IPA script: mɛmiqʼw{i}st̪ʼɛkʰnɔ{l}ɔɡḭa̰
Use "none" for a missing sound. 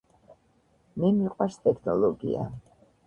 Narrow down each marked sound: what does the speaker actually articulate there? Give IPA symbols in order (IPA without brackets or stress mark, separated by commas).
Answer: a, l